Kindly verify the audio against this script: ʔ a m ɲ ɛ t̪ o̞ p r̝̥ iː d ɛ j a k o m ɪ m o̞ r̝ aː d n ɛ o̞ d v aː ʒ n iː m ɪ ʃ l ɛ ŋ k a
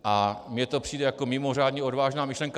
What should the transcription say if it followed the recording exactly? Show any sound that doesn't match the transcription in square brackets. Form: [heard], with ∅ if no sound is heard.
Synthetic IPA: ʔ a m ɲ ɛ t̪ o̞ p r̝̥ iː d ɛ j a k o m ɪ m o̞ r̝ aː d [ɲ] ɛ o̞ d v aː ʒ n [aː] m ɪ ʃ l ɛ ŋ k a

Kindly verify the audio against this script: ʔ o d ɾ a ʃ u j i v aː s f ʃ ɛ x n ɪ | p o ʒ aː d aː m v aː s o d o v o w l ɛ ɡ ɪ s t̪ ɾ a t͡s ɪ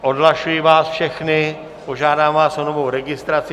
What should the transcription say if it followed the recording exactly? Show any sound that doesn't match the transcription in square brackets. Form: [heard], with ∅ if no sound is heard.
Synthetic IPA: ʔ o d [l] a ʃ u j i v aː s f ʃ ɛ x n ɪ | p o ʒ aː d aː m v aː s o [n] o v o w [ɾ] ɛ ɡ ɪ s t̪ ɾ a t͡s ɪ

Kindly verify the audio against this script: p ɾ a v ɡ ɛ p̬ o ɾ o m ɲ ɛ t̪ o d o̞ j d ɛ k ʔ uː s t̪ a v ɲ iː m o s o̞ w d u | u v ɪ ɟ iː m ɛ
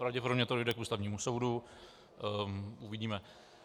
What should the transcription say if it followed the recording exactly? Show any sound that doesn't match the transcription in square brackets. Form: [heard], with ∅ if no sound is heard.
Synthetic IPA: p ɾ a v [ɟ] ɛ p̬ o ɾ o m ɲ ɛ t̪ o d o̞ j d ɛ k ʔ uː s t̪ a v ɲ iː m [u] s o̞ w d u | u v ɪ ɟ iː m ɛ

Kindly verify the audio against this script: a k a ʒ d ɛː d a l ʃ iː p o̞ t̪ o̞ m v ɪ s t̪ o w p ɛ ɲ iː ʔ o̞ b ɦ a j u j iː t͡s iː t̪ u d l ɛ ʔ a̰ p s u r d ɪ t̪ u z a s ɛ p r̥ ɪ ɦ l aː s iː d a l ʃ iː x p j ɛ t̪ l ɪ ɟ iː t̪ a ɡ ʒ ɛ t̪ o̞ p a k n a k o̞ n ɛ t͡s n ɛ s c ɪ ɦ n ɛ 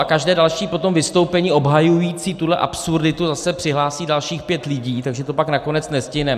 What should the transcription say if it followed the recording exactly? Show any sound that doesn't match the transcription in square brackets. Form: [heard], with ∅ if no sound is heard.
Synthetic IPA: a k a ʒ d ɛː d a l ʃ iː p o̞ t̪ o̞ m v ɪ s t̪ o w p ɛ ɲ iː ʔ o̞ b ɦ a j u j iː t͡s iː t̪ u d l ɛ ʔ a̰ p s u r d ɪ t̪ u z a s ɛ p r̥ ɪ ɦ l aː s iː d a l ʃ iː x p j ɛ t̪ l ɪ ɟ iː t̪ a ɡ ʒ ɛ t̪ o̞ p a k n a k o̞ n ɛ t͡s n ɛ s c ɪ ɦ n ɛ

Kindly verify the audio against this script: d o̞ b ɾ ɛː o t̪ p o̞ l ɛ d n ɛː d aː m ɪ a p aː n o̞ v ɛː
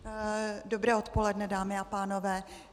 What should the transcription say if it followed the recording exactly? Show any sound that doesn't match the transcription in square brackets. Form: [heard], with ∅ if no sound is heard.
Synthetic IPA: d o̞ b ɾ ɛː o t̪ p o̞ l ɛ d n [ɛ] d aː m ɪ a p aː n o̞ v ɛː

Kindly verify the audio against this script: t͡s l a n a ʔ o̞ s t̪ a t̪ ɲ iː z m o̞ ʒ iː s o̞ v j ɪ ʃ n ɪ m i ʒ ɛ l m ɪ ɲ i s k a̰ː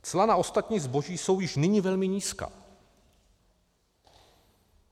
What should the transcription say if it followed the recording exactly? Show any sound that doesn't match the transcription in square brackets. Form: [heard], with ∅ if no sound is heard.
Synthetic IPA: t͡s l a n a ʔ o̞ s t̪ a t̪ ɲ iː z [b] o̞ ʒ iː s o̞ [w] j ɪ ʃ n ɪ [ɲ] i [v] ɛ l m ɪ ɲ [iː] s k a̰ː

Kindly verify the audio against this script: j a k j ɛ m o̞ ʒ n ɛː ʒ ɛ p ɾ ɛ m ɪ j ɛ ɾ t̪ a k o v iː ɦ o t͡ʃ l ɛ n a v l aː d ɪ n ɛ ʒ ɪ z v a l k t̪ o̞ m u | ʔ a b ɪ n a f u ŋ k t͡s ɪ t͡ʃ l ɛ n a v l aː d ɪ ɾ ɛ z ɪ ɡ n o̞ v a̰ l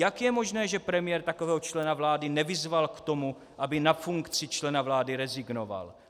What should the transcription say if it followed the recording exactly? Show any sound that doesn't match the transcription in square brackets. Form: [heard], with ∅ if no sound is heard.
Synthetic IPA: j a k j ɛ m o̞ ʒ n ɛː ʒ ɛ p ɾ ɛ m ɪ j ɛ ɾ t̪ a k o v [ɛː] ɦ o t͡ʃ l ɛ n a v l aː d ɪ n ɛ [v] ɪ z v a l k t̪ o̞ m u | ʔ a b ɪ n a f u ŋ k t͡s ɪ t͡ʃ l ɛ n a v l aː d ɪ ɾ ɛ z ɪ ɡ n o̞ v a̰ l

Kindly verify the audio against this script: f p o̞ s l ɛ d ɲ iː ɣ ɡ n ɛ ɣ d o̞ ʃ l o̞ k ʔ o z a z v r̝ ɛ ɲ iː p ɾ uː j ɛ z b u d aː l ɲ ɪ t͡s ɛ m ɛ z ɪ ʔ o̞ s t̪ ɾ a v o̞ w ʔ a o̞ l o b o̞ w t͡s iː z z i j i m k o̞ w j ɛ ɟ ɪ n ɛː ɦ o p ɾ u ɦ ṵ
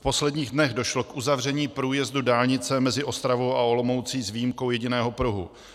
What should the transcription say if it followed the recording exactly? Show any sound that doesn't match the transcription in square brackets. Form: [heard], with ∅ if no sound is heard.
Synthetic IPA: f p o̞ s l ɛ d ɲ iː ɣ [d] n ɛ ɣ d o̞ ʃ l o̞ k ʔ [u] z a [∅] v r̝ ɛ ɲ iː p ɾ uː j ɛ z [d] u d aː l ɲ ɪ t͡s ɛ m ɛ z ɪ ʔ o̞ s t̪ ɾ a v o̞ w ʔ a o̞ l o [m] o̞ w t͡s iː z [v] i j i m k o̞ w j ɛ ɟ ɪ n ɛː ɦ o p ɾ u ɦ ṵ

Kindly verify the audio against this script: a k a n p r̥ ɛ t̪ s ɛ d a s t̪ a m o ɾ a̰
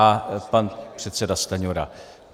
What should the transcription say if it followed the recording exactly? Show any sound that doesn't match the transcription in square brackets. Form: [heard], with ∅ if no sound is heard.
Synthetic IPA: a [p] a n p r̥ ɛ t̪ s ɛ d a s t̪ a [ɲ] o ɾ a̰

